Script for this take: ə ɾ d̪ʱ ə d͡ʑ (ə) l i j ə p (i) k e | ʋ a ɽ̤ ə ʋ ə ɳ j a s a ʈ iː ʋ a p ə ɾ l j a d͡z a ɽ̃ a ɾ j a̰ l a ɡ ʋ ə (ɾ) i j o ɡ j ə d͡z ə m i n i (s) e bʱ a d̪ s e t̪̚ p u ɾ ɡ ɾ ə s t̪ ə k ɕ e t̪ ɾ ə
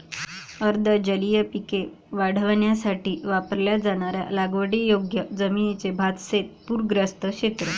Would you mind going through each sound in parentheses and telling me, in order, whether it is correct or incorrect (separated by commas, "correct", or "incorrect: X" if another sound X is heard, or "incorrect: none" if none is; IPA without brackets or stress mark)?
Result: correct, correct, incorrect: ɽ, incorrect: t͡s